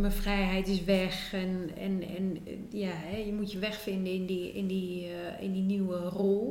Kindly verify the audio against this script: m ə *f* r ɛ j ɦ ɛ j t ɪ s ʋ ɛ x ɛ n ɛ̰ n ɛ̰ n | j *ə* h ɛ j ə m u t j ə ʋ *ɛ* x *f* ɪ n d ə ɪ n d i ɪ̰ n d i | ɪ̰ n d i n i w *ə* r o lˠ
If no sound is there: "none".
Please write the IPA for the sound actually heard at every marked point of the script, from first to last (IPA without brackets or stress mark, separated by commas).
f, a, ɛ, f, ə